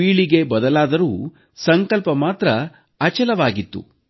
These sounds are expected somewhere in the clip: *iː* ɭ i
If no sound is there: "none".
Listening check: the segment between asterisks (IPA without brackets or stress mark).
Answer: iː